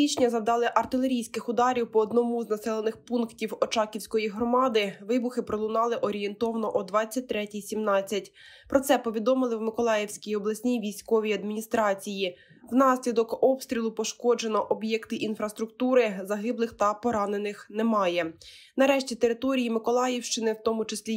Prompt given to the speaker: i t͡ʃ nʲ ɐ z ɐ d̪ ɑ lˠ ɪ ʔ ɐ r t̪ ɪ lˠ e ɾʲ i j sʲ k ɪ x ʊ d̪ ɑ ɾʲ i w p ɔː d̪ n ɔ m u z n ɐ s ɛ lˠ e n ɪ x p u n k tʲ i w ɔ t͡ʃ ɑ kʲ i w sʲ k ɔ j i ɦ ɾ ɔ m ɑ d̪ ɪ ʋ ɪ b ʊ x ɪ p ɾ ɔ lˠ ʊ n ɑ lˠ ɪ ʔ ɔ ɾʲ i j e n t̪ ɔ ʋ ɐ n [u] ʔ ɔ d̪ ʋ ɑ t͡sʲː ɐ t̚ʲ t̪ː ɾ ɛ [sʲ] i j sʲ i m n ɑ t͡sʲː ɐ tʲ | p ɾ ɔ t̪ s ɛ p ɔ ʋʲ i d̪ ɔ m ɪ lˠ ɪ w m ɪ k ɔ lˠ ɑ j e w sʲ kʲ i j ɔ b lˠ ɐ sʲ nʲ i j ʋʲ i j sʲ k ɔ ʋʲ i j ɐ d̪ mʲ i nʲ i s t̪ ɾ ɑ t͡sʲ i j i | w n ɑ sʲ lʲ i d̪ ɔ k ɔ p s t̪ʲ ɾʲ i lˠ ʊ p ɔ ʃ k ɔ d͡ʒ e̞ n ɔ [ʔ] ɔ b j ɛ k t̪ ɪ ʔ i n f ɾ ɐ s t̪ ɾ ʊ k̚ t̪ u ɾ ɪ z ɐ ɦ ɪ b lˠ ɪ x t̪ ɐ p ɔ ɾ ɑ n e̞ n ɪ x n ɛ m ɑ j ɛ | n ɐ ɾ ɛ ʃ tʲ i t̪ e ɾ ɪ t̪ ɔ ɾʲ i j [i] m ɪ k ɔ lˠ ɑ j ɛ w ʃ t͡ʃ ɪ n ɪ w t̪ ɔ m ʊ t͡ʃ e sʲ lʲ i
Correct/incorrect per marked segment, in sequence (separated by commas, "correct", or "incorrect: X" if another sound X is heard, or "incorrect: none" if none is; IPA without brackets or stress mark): incorrect: ɔ, incorrect: tʲ, correct, correct